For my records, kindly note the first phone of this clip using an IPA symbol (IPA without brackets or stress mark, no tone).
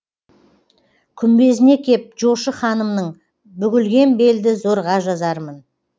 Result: kʲʰ